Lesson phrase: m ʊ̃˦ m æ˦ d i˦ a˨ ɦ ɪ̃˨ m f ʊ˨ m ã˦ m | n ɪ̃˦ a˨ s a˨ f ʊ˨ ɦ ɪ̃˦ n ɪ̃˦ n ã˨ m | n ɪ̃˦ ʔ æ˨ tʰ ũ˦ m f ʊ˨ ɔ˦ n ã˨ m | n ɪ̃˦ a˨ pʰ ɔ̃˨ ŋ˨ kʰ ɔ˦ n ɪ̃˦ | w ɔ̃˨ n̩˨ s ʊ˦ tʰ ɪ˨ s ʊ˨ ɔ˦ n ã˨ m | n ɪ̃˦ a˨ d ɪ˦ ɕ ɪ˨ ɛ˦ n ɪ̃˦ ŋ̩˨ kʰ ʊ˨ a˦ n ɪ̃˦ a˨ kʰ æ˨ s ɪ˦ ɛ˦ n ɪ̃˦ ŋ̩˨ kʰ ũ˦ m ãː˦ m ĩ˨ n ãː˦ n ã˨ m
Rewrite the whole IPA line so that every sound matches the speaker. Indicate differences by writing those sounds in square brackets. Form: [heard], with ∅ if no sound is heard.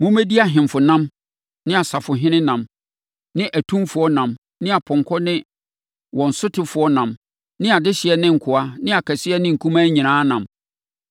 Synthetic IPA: m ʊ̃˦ m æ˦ d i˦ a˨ ɦ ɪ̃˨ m f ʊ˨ [n] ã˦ m | n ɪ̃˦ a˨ s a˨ f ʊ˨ ɦ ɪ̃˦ n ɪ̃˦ n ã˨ m | n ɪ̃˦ ʔ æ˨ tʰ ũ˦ m f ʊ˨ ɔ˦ n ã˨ m | n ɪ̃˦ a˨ pʰ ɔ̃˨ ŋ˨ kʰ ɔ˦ n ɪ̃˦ | w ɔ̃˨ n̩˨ s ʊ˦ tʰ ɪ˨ [f] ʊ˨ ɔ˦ n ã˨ m | n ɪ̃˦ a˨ d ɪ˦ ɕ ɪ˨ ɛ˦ n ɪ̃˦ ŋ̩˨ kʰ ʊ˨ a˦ n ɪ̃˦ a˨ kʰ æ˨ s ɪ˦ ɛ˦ n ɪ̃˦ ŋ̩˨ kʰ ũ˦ m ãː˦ [ɲ] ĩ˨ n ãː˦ n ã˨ m